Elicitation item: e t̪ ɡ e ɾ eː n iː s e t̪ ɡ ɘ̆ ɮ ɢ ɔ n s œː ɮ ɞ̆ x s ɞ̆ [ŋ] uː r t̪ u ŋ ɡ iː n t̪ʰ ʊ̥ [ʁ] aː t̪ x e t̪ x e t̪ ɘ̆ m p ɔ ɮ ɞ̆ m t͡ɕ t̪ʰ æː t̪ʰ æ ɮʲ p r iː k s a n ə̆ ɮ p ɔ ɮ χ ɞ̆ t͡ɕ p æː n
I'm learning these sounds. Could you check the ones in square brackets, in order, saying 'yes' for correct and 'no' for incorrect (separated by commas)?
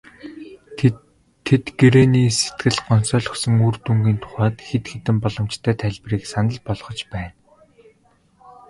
yes, no